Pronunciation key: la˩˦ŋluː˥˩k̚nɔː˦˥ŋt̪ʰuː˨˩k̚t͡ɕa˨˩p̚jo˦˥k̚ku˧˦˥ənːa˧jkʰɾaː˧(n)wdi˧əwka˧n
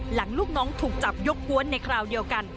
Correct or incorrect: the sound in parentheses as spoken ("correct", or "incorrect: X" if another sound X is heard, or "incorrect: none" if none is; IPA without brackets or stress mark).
incorrect: none